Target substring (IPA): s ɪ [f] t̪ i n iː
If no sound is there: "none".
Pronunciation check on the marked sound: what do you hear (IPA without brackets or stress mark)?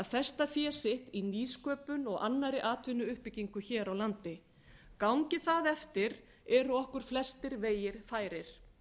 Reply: h